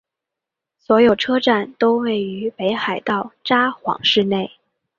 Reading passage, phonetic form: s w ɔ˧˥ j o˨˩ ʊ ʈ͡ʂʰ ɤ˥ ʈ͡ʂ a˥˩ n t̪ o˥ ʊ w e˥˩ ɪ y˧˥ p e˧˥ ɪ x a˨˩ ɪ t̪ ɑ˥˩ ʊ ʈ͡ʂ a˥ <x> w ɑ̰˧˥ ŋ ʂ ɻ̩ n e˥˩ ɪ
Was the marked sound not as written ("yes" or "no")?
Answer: no